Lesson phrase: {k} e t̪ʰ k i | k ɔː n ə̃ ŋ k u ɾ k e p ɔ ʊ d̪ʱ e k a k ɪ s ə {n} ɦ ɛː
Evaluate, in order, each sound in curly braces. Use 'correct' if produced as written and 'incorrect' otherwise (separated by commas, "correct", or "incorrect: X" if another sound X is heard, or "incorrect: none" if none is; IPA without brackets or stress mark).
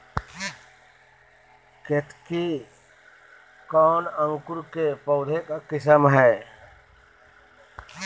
correct, incorrect: m